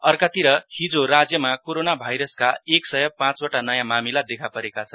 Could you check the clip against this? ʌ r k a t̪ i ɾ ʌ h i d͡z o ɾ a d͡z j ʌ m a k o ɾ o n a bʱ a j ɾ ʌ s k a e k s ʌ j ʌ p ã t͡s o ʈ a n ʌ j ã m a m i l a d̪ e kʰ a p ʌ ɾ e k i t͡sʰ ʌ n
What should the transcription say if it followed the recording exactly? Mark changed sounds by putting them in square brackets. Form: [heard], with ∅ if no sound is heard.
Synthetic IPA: ʌ r k a t̪ i ɾ ʌ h i d͡z o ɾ a d͡z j ʌ m a k o ɾ o n a bʱ a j ɾ ʌ s k a e k s ʌ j ʌ p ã t͡s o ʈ a n ʌ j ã m a m i l a d̪ e kʰ a p ʌ ɾ e k [a] t͡sʰ ʌ n